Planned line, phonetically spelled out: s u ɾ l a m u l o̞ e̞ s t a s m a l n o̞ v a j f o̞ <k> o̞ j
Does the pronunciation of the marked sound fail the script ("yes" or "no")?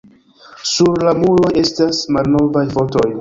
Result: yes